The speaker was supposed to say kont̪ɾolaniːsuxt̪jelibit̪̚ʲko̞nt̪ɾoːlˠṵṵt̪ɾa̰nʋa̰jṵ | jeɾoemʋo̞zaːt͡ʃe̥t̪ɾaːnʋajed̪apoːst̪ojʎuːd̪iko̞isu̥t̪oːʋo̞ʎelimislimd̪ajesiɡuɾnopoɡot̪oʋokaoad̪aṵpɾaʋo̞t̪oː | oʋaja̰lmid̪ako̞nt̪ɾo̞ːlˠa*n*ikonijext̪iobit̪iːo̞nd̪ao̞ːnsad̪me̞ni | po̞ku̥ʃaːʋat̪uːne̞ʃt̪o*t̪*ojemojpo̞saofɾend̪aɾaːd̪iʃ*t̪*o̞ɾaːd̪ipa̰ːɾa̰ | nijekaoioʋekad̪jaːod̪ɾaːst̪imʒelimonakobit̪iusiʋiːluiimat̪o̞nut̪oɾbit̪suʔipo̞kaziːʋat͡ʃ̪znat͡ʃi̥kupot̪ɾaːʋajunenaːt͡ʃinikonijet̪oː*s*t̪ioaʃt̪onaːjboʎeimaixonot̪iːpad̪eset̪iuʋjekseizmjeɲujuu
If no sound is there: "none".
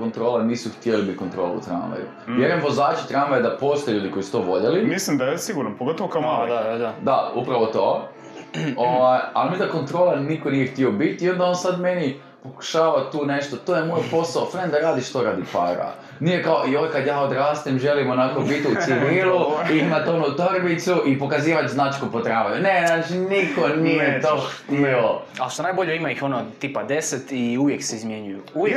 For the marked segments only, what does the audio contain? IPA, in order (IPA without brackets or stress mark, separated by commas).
n, t̪, t̪, x